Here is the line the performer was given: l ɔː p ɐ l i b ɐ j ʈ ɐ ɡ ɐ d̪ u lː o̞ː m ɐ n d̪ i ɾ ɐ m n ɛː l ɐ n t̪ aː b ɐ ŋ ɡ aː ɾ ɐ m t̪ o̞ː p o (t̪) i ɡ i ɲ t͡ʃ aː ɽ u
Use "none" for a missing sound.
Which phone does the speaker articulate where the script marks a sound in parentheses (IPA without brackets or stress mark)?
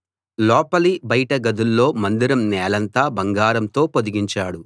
d̪